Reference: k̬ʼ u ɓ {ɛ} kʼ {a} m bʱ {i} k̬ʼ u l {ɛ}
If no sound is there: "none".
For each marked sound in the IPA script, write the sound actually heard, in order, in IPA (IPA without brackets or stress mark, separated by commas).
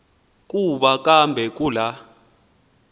a, a, ɛ, a